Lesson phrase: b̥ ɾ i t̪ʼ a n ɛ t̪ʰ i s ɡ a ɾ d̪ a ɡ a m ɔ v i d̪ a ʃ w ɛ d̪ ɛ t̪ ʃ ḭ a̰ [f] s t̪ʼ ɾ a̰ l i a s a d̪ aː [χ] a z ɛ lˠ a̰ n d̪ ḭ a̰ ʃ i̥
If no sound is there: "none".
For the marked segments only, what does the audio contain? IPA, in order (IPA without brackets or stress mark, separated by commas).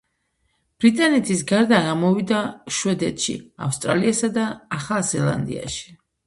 f, χ